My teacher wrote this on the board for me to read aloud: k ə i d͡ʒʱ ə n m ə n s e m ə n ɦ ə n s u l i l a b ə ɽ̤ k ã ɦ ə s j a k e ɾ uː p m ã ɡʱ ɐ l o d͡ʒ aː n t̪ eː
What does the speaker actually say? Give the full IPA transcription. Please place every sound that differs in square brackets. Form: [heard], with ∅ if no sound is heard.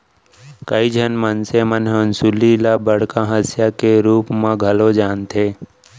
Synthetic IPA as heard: k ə i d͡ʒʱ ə n m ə n s e m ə n ɦ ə n s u l i l a b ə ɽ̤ k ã ɦ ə s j a k e ɾ uː p m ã ɡʱ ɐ l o d͡ʒ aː n t̪ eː